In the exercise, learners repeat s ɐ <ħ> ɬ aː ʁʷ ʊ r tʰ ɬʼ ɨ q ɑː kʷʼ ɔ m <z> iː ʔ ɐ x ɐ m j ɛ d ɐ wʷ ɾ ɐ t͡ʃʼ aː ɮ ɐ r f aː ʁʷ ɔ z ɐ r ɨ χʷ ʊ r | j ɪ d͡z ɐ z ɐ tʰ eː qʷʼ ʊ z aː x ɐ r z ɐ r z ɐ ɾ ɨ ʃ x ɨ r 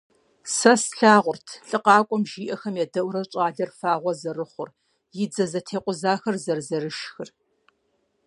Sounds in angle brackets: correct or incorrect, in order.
incorrect: s, incorrect: ʒ

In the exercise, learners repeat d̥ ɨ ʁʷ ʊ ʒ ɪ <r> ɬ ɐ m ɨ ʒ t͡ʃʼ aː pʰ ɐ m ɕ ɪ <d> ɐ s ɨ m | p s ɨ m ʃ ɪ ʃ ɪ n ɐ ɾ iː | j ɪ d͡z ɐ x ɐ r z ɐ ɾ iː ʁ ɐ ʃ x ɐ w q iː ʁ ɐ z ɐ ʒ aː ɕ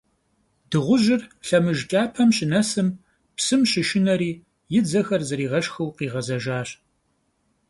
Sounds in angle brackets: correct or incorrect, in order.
correct, incorrect: n

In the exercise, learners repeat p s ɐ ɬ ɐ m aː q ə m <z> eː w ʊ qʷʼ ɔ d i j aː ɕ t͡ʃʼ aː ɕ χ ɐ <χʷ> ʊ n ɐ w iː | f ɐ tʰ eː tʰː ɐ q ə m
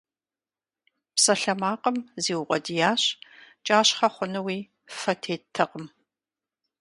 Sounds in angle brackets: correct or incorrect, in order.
correct, correct

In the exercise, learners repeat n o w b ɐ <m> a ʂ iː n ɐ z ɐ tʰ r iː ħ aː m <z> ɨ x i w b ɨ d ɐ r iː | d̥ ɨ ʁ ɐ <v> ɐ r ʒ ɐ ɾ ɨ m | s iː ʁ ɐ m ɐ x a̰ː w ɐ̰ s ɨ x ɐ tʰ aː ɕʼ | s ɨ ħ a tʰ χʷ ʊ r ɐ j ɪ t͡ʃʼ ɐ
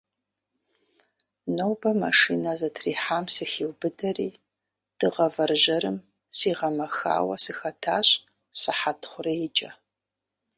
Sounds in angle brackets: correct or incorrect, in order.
correct, incorrect: s, correct

